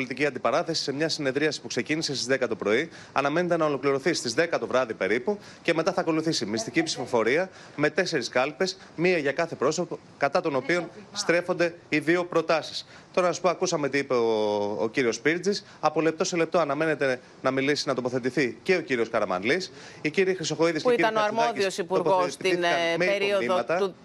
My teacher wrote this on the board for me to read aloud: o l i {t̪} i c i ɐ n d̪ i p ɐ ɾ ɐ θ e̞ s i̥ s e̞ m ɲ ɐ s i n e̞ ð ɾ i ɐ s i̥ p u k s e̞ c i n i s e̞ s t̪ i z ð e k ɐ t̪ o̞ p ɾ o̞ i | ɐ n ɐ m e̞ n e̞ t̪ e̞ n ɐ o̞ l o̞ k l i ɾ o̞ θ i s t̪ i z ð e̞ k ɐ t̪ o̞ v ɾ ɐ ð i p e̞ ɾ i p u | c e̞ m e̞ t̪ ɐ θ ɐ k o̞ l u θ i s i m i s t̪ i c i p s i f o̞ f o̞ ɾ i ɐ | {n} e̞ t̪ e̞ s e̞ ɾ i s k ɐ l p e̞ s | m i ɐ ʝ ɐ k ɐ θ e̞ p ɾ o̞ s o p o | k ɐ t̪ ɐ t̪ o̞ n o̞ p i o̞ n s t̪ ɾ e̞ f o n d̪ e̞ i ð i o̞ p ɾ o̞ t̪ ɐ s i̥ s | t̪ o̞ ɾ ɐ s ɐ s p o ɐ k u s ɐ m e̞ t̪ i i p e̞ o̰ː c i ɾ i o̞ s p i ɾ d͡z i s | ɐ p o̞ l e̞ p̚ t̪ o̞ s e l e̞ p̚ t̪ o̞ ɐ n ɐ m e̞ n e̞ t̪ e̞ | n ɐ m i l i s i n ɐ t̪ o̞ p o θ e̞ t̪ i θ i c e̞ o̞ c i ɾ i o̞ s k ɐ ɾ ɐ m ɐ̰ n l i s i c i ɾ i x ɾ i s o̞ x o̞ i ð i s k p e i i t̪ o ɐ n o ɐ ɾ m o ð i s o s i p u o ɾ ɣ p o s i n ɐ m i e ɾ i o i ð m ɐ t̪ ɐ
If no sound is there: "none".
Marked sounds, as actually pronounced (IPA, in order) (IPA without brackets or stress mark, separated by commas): t̪, m